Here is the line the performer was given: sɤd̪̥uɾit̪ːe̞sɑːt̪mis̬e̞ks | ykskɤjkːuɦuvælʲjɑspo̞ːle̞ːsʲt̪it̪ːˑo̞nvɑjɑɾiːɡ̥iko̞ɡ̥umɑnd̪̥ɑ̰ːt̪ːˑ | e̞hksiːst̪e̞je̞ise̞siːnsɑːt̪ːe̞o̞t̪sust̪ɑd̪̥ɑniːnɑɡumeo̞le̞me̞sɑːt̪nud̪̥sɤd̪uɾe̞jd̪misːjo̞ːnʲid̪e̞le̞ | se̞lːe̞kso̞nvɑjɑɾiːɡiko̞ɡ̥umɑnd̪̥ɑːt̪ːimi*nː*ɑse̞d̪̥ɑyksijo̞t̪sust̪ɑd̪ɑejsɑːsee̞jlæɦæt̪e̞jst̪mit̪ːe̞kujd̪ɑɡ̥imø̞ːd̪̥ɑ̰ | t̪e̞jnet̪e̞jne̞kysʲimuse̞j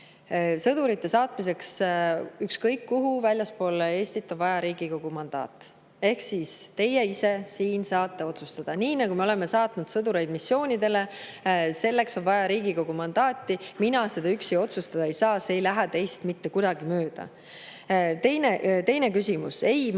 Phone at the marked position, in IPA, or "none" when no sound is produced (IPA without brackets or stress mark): n